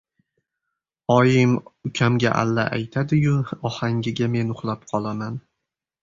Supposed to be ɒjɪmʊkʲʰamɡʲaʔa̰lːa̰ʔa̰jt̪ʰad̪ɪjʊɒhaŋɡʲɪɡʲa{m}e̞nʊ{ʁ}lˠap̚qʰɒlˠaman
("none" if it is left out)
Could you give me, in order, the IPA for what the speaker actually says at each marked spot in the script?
m, χ

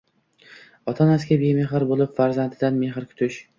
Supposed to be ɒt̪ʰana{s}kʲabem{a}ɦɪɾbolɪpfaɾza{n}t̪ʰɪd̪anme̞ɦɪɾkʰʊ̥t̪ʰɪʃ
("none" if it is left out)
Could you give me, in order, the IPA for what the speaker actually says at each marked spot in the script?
s, e, n

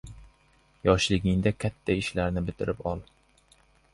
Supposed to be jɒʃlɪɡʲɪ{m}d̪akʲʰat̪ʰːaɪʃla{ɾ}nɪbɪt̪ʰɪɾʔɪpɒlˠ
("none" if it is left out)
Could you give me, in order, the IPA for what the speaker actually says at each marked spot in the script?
ŋ, ɾ

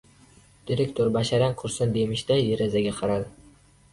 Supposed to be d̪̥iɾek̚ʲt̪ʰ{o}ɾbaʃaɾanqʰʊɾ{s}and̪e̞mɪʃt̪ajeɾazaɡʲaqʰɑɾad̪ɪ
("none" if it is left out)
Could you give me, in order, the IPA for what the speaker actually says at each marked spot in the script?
o, s

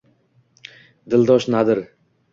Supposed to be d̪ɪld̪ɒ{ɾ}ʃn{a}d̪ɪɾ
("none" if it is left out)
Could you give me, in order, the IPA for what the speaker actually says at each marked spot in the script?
none, a

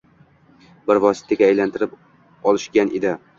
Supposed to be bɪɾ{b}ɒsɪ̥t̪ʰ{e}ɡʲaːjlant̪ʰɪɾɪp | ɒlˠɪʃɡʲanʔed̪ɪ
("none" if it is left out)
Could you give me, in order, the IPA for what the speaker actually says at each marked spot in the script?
v, a

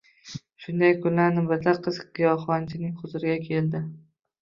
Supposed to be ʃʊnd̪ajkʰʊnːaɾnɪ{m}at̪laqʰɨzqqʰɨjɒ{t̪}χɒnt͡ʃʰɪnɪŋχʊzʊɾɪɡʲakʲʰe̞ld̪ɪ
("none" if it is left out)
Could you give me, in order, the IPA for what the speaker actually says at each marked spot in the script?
b, none

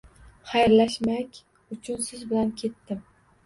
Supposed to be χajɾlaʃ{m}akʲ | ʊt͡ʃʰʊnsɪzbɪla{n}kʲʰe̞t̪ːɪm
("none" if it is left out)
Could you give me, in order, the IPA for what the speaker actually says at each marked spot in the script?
m, n

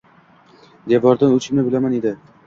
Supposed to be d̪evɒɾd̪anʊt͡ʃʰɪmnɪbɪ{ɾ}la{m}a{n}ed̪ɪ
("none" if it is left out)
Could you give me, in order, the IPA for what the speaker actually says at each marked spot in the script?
none, m, n

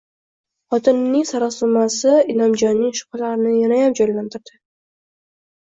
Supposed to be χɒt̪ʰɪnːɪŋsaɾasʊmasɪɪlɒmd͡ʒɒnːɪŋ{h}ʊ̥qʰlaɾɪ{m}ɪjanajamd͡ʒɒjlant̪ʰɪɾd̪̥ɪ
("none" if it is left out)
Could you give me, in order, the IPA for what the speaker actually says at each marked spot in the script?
ʃ, n

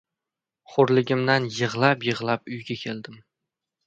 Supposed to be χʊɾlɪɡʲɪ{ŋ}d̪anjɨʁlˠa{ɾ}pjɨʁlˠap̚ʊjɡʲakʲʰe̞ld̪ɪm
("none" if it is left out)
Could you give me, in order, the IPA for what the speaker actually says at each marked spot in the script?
m, none

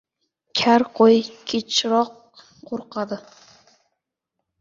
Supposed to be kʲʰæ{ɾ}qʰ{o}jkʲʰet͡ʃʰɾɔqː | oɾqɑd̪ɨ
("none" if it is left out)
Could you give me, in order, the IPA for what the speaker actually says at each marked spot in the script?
ɾ, o

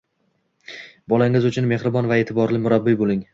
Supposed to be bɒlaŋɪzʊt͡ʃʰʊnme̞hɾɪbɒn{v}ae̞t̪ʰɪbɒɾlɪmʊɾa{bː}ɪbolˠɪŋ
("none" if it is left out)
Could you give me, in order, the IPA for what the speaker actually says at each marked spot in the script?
v, bː

